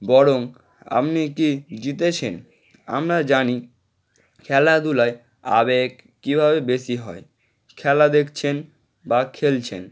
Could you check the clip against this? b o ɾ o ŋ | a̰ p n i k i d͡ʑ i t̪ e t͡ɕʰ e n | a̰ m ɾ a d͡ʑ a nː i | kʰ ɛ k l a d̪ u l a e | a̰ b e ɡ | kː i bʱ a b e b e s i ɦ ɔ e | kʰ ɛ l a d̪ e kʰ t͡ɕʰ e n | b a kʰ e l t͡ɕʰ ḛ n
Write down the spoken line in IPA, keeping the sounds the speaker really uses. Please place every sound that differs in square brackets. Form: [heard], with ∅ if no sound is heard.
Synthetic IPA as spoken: b [ɔ] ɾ o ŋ | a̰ p n i k i d͡ʑ i t̪ e t͡ɕʰ e n | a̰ m ɾ a d͡ʑ a [n] i | kʰ ɛ [∅] l a d̪ u l a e | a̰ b e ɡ | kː i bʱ a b e b e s i ɦ ɔ e | kʰ ɛ l a d̪ e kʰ t͡ɕʰ e n | b a kʰ e l t͡ɕʰ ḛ n